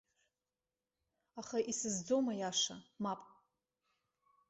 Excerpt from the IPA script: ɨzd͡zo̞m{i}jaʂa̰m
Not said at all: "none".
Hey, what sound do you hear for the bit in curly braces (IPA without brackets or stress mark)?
a